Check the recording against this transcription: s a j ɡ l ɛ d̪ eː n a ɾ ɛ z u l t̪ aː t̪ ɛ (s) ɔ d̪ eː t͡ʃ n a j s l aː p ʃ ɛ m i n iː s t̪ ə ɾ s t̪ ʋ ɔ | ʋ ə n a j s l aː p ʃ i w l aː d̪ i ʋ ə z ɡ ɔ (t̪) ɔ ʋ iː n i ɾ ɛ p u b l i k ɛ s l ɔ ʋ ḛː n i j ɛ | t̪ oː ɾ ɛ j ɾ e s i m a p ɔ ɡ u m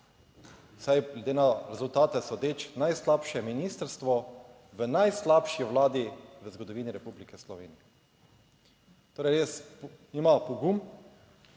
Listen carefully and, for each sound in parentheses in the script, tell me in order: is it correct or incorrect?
correct, incorrect: d̪

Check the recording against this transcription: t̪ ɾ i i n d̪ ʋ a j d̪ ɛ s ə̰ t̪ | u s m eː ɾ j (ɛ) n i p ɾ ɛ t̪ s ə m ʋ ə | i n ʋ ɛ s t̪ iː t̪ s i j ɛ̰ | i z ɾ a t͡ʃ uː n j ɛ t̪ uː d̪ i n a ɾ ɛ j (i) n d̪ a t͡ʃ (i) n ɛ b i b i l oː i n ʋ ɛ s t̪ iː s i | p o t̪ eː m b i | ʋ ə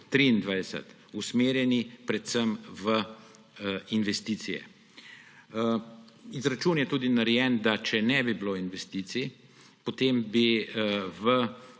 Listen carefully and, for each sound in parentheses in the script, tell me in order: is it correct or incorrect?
correct, incorrect: ɛ, incorrect: ɛ

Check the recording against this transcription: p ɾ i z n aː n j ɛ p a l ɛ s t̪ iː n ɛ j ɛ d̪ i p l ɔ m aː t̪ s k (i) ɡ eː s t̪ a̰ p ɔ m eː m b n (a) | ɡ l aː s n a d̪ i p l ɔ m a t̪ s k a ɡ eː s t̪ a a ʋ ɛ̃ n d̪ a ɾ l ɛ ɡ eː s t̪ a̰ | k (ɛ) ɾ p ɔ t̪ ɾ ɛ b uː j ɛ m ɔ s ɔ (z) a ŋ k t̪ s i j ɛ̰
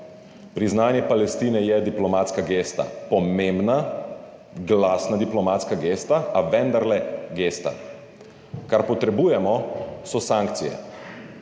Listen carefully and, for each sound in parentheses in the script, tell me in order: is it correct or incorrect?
incorrect: a, correct, incorrect: a, incorrect: s

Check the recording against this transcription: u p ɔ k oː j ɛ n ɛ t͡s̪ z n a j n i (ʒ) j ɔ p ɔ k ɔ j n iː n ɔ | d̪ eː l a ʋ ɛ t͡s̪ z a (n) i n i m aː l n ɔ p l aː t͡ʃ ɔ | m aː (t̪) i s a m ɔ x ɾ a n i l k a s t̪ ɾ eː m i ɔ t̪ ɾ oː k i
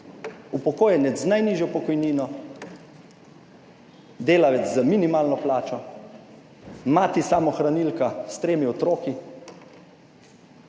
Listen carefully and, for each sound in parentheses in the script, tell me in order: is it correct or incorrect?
correct, incorrect: m, correct

